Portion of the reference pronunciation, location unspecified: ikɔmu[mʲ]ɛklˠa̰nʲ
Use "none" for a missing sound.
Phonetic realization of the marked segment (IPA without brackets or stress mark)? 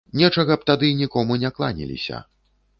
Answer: nʲ